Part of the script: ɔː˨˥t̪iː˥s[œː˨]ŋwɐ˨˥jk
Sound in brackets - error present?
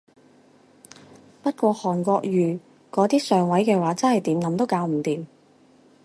no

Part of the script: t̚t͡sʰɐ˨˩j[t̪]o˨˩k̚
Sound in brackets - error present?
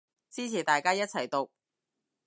no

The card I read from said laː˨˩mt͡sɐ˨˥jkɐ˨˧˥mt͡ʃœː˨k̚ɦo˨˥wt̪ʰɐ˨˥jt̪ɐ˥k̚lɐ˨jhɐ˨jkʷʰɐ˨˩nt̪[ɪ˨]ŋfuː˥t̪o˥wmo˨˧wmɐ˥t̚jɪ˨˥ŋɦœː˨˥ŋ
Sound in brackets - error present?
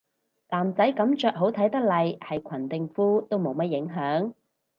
no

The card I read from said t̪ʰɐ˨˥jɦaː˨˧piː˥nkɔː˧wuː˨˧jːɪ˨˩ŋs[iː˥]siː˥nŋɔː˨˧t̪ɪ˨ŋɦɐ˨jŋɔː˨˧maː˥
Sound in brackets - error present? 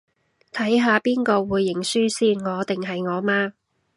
yes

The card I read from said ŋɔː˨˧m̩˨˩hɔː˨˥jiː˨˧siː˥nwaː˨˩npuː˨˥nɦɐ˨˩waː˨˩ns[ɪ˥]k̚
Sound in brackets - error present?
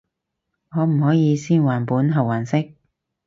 no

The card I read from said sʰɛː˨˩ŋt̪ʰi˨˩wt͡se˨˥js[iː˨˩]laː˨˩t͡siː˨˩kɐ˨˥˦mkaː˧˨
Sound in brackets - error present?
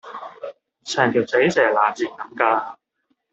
yes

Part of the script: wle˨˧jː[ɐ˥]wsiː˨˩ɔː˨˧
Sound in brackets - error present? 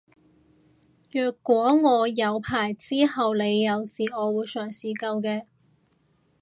yes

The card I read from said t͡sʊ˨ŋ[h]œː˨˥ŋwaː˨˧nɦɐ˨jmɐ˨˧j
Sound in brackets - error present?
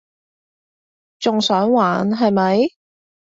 yes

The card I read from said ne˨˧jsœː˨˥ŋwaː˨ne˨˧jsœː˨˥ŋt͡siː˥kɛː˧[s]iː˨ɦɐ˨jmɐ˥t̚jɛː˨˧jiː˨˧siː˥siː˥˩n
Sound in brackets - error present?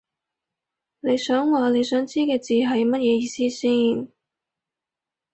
yes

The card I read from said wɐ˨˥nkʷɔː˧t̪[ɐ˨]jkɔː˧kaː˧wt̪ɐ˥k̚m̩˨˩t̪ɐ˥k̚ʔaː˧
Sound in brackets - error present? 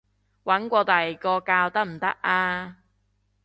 no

